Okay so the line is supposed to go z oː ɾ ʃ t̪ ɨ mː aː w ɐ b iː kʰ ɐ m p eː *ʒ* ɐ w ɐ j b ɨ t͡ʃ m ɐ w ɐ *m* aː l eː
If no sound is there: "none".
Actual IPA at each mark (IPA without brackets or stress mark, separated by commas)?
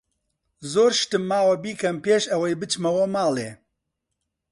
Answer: ʃ, m